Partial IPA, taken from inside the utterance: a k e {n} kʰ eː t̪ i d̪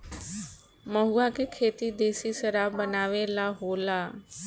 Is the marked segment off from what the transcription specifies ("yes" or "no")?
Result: yes